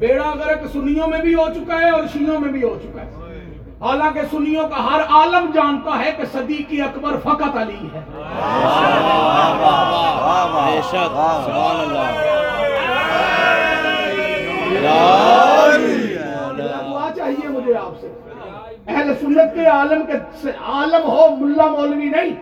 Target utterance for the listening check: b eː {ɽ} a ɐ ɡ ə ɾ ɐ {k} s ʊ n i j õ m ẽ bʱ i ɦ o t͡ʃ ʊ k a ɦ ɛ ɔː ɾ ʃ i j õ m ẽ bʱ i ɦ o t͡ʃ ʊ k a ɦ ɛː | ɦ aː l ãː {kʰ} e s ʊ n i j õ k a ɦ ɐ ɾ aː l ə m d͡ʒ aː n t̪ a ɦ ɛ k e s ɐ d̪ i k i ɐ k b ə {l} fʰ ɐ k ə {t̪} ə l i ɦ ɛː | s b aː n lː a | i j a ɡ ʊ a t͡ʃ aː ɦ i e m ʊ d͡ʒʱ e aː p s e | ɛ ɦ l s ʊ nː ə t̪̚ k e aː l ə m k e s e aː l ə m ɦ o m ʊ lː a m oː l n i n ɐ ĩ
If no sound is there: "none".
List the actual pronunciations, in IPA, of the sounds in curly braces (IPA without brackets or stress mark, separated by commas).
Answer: ɽ, k, k, ɾ, t̪